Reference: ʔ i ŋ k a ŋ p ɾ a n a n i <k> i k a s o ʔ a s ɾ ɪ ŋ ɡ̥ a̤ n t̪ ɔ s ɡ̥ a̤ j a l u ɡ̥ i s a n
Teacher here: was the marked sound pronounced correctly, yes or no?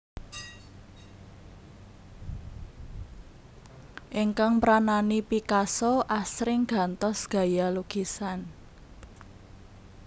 no